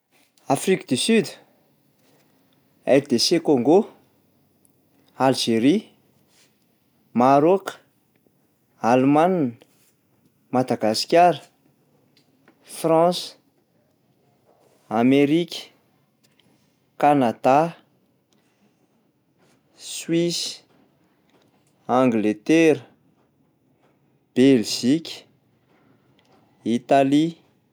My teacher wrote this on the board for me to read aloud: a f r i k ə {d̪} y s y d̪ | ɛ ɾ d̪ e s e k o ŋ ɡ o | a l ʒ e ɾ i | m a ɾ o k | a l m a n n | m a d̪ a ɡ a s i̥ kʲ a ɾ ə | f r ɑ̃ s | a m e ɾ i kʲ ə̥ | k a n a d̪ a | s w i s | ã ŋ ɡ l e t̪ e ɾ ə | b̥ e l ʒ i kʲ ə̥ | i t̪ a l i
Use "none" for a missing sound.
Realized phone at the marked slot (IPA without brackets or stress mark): d̪